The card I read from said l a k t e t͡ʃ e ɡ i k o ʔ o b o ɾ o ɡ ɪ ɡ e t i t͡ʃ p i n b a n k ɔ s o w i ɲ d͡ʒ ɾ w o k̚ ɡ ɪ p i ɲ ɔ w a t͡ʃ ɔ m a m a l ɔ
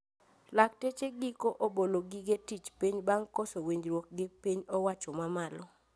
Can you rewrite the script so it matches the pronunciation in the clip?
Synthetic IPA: l a k t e t͡ʃ e ɡ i k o ʔ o b o l o ɡ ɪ ɡ e t i t͡ʃ p i ɲ b a ŋ k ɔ s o w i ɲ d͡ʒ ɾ w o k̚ ɡ ɪ p i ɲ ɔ w a t͡ʃ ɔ m a m a l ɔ

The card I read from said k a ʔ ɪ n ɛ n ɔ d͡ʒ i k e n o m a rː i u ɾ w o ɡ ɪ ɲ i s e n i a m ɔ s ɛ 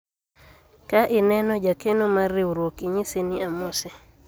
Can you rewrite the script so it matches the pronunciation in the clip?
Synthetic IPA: k a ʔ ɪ n ɛ n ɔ d͡ʒ a k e n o m a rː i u ɾ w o k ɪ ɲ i s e n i a m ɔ s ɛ

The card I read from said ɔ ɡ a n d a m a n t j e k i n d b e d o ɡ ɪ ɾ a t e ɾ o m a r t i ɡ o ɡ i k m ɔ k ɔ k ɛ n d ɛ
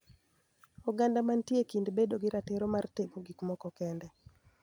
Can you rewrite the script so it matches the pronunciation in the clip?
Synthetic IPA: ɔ ɡ a n d a m a n t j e k i n d b e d o ɡ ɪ ɾ a t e ɾ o m a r t e ɡ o ɡ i k m ɔ k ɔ k ɛ n d ɛ

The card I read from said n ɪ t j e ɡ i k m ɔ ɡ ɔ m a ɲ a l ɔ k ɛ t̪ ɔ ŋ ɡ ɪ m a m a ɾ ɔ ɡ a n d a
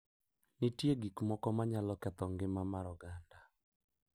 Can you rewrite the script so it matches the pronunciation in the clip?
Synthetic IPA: n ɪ t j e ɡ i k m ɔ k ɔ m a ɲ a l ɔ k ɛ t̪ ɔ ŋ ɡ ɪ m a m a ɾ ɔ ɡ a n d a

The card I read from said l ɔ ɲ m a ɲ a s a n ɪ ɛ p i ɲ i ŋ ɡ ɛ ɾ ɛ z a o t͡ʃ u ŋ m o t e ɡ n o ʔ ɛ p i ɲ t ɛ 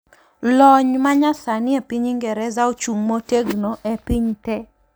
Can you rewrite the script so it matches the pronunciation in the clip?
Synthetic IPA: l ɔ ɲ m a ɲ a s a n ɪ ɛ p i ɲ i ŋ ɡ ɛ ɾ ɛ z a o t͡ʃ u ŋ m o t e ɡ n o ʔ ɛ p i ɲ t ɛ

